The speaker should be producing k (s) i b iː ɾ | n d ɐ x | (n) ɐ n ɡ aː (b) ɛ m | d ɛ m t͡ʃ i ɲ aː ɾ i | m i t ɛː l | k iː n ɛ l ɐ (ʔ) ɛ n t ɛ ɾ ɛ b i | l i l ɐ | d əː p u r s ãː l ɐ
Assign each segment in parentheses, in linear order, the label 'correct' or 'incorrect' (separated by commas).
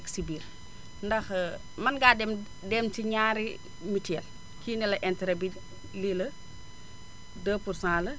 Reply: correct, incorrect, incorrect, correct